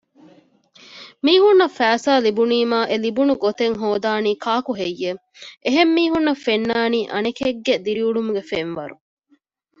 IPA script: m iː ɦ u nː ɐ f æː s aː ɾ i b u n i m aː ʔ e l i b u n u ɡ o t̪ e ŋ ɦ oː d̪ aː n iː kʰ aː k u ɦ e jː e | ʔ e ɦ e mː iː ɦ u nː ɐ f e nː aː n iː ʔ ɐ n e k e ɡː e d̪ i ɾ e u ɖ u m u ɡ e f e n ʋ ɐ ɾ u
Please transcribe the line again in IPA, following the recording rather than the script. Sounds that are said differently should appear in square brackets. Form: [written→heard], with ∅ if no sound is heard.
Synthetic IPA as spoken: m iː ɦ u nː ɐ f æː s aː [ɾ→l] i b u n [i→iː] m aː ʔ e l i b u n u ɡ o t̪ e ŋ ɦ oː d̪ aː n iː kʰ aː k u ɦ e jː e | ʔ e ɦ e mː iː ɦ u nː ɐ f e nː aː n iː ʔ ɐ n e k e ɡː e d̪ i ɾ [e→i] u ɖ u m u ɡ e f e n ʋ ɐ ɾ u